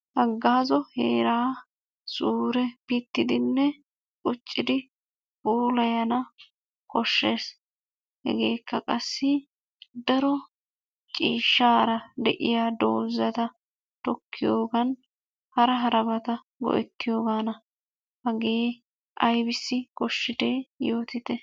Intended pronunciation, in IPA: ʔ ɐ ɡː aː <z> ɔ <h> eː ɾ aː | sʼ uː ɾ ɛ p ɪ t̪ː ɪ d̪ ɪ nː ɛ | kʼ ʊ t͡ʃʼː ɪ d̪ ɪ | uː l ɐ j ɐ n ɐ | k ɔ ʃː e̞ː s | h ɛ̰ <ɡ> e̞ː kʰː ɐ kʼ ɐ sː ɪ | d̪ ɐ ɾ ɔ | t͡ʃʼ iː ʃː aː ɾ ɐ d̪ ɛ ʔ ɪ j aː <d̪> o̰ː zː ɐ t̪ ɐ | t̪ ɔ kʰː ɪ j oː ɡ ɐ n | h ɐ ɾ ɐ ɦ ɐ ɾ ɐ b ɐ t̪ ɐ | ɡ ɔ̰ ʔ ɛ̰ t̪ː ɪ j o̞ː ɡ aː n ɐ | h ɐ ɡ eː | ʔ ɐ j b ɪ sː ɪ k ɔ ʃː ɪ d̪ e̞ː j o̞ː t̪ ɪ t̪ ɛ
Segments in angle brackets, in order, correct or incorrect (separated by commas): correct, correct, correct, correct